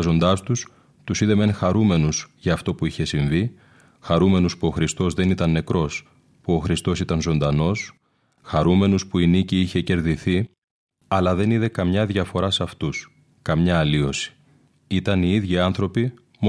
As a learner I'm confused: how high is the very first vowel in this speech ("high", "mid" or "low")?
mid